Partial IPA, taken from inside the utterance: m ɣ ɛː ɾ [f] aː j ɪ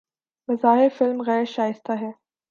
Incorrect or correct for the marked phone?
incorrect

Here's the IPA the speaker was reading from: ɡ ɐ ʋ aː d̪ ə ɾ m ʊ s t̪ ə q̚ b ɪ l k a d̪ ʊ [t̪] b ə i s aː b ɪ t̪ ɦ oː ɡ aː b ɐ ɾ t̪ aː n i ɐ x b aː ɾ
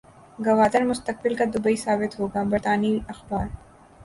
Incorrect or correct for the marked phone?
incorrect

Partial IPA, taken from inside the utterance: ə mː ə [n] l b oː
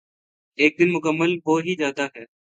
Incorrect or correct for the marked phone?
incorrect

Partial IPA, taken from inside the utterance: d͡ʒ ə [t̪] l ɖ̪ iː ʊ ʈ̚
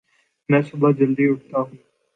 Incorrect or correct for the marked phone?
incorrect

